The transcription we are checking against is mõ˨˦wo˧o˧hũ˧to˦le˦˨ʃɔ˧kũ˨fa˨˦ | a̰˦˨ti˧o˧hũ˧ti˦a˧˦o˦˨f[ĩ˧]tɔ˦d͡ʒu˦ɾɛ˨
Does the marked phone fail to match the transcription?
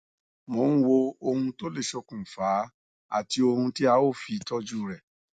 yes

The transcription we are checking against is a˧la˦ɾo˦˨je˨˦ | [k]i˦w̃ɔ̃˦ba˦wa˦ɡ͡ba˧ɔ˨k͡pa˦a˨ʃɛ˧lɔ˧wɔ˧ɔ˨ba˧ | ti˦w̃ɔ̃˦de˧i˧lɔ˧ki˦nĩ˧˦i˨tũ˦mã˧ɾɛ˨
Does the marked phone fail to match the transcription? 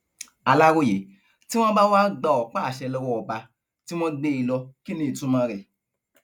yes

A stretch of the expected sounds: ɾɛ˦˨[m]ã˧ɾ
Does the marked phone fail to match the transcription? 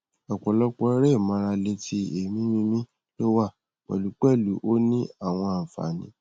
no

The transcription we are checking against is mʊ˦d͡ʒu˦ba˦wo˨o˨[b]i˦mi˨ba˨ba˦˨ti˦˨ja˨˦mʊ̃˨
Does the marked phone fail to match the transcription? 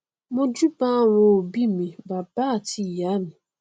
no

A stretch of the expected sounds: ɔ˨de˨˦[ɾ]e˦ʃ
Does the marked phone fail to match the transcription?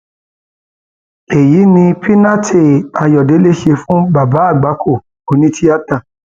yes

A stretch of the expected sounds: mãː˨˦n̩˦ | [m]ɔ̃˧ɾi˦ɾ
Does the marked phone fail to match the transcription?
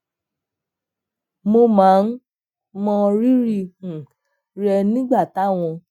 no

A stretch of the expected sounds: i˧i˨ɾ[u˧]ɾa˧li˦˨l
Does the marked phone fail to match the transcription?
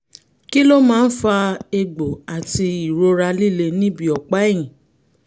yes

